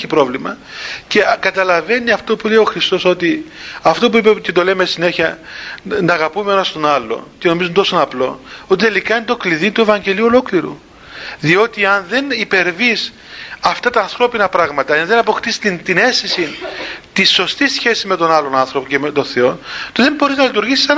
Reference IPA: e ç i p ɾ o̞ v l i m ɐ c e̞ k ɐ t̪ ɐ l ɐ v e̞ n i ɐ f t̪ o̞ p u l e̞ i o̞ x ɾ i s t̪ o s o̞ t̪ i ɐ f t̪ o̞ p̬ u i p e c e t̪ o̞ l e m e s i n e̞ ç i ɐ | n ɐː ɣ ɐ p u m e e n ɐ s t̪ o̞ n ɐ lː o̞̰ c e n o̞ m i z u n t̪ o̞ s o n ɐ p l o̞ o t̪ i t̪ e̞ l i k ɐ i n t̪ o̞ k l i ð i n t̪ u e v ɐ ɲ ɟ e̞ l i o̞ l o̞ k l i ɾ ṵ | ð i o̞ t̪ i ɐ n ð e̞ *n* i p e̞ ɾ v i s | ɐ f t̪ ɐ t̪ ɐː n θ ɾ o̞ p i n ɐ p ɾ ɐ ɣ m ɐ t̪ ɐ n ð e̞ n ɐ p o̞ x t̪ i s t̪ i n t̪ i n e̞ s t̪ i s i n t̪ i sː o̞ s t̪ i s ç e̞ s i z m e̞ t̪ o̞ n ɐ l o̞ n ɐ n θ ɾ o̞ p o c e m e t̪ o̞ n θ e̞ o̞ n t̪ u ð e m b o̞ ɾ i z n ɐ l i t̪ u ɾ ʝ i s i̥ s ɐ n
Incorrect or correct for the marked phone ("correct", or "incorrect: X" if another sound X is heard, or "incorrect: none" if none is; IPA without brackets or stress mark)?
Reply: correct